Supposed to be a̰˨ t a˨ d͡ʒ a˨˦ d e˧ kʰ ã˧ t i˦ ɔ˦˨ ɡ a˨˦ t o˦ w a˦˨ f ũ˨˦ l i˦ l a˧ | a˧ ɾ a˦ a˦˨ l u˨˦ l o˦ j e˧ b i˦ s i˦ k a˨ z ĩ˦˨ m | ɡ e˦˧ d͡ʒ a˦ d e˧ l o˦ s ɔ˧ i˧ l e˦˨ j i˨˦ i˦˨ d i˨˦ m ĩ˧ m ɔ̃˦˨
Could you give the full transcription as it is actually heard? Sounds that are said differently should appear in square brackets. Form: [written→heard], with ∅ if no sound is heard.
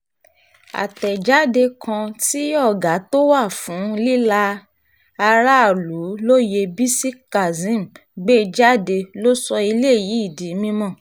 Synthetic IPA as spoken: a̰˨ t [a˨→ɛ˨] d͡ʒ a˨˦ d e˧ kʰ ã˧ t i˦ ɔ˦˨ ɡ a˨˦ t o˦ w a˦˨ f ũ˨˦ l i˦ l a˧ | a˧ ɾ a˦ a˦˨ l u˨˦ l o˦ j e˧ b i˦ s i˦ k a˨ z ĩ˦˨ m | [ɡ→ɡ͡b] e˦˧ d͡ʒ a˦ d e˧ l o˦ s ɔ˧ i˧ l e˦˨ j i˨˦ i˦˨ d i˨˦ m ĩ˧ m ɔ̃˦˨